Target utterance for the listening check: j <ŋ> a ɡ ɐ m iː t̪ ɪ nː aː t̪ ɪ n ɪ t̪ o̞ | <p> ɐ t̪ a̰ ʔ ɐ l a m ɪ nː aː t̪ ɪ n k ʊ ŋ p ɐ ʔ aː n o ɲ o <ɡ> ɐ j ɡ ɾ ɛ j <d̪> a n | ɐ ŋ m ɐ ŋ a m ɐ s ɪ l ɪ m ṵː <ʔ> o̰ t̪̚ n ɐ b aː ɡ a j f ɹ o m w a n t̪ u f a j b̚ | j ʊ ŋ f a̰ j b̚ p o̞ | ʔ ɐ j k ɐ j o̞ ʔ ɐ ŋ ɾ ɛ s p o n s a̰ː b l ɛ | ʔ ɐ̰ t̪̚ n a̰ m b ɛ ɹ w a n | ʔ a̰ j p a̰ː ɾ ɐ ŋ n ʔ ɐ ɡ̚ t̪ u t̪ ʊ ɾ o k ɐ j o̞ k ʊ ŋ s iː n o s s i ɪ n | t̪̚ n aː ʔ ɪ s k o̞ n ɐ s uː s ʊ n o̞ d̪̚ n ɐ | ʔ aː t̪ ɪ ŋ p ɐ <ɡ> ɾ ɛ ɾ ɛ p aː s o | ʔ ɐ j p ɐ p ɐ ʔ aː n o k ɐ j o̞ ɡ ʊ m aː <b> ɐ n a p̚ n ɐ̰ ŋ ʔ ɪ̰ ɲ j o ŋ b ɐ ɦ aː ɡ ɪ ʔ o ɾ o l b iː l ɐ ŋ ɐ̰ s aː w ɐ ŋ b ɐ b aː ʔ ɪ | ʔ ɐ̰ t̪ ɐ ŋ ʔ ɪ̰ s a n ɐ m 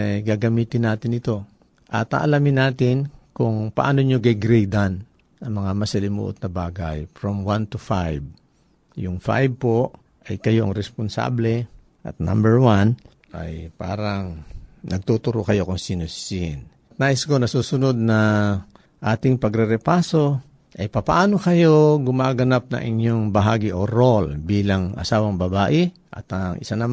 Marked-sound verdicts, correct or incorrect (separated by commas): incorrect, incorrect, correct, correct, correct, correct, incorrect